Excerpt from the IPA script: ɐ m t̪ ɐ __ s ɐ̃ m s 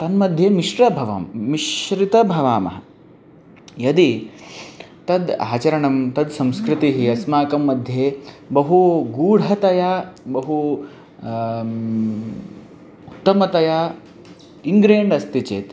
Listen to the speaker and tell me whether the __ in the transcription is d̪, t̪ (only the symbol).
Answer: d̪